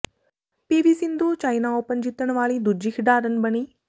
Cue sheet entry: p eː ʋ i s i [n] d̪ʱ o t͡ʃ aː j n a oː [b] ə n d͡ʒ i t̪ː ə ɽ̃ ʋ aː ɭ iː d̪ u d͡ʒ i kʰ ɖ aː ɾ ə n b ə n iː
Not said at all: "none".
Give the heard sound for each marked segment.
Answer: n, p

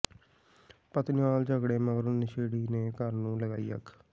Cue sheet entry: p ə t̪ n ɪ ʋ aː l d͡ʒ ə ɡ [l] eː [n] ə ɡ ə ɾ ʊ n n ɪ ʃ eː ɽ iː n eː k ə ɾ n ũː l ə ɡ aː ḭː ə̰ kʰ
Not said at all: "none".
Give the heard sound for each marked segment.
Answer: ɽ, m

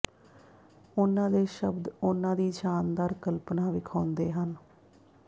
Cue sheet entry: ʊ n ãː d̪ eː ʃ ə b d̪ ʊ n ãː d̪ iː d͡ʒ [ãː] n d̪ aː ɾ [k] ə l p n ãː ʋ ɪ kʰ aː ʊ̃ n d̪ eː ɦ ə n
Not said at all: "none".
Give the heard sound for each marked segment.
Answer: aː, k

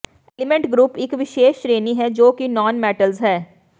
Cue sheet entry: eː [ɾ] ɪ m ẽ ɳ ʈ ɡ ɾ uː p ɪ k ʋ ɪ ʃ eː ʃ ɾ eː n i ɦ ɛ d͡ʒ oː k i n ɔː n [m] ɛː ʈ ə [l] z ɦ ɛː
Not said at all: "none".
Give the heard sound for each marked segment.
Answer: l, m, l

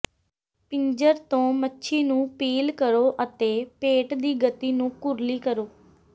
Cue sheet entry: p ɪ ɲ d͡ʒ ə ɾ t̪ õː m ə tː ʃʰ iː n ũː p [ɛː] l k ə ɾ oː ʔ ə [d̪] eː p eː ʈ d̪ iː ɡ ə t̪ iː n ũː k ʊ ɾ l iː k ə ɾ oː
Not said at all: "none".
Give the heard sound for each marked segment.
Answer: iː, t̪

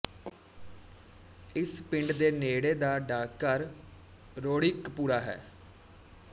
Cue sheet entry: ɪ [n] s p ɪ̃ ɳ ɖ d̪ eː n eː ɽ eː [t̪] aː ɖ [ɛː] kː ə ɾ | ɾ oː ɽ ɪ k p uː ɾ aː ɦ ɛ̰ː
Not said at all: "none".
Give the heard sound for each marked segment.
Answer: none, d̪, aː

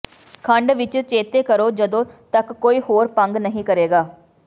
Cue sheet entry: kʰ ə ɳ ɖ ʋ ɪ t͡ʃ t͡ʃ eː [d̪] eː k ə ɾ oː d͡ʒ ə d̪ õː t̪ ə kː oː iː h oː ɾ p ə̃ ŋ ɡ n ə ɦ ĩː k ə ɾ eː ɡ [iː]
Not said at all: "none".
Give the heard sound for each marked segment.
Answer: t̪, aː

